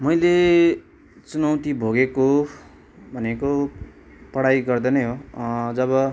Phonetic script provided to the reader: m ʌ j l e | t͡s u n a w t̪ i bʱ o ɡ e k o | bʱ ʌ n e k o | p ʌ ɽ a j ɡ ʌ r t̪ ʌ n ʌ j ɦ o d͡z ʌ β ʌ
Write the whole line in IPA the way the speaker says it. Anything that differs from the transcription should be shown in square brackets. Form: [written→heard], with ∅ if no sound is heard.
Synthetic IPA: m ʌ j l e | t͡s u n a w t̪ i bʱ o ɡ e k o | bʱ ʌ n e k o | p ʌ ɽ a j ɡ ʌ r [t̪→d̪] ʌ n ʌ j ɦ o d͡z ʌ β ʌ